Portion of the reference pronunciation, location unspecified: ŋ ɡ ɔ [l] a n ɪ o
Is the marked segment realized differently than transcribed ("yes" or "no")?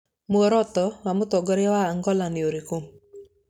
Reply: no